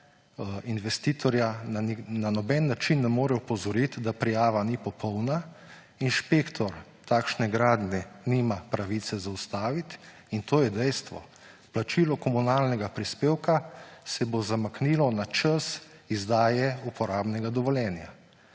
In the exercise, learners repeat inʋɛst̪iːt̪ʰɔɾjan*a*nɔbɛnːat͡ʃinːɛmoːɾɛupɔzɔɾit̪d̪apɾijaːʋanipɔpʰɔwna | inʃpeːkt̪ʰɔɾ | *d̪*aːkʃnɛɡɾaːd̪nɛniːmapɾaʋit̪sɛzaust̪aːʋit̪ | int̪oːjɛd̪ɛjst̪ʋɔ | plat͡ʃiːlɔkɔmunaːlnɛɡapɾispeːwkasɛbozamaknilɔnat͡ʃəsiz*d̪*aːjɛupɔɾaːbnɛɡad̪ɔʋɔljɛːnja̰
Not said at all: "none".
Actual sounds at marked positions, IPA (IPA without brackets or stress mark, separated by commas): a, t̪, d̪